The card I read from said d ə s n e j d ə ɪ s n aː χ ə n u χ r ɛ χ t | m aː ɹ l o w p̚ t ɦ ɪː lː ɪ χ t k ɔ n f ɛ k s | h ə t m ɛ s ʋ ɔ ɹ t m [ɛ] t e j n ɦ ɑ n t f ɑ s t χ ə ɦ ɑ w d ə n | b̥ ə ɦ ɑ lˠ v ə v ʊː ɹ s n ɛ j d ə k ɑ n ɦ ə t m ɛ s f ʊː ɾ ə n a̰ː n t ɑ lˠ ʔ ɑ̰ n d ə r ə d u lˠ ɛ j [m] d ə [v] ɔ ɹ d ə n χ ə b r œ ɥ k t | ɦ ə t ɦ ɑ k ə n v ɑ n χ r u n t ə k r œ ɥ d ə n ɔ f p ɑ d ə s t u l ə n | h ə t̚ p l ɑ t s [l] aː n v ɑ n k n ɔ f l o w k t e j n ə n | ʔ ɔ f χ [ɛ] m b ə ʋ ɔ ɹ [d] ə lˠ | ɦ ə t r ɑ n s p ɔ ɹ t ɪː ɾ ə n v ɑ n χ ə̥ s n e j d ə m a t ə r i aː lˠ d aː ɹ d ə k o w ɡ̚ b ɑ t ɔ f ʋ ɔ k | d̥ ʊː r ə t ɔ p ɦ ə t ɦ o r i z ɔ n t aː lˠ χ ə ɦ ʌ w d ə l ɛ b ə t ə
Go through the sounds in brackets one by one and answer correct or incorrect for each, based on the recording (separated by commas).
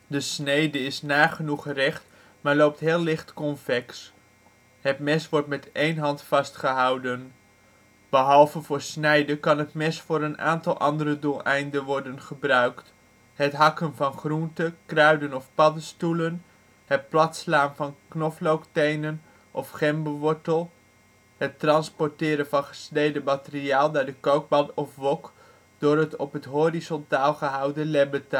correct, incorrect, incorrect, correct, correct, incorrect